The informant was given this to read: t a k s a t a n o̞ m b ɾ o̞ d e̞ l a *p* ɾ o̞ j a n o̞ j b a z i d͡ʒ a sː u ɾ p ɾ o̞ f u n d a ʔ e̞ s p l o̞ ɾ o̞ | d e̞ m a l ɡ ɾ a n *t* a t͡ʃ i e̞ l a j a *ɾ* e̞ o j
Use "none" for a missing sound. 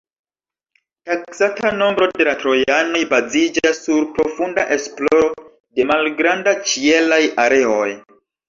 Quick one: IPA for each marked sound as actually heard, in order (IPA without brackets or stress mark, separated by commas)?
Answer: t, d, ɾ